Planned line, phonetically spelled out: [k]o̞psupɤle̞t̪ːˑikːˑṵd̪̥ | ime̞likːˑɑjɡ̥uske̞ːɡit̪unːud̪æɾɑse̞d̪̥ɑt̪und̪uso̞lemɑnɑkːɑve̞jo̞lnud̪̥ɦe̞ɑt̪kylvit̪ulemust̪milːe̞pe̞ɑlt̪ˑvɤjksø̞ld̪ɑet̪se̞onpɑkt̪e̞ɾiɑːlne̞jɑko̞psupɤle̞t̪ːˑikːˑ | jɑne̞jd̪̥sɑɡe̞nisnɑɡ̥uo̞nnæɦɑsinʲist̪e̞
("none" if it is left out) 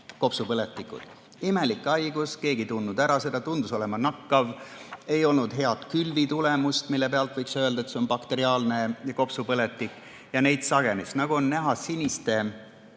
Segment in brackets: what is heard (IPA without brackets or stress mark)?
k